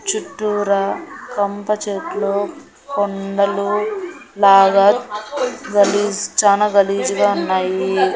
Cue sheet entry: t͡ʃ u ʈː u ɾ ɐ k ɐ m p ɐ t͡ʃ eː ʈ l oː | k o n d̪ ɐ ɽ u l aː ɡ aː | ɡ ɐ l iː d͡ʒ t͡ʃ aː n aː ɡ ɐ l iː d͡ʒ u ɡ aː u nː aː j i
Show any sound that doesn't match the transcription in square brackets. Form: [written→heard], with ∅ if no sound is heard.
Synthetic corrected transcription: t͡ʃ u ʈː u ɾ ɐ k ɐ m p ɐ t͡ʃ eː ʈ l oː | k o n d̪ ɐ [ɽ→l] u l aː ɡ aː | ɡ ɐ l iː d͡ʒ t͡ʃ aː n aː ɡ ɐ l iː d͡ʒ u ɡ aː u nː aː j i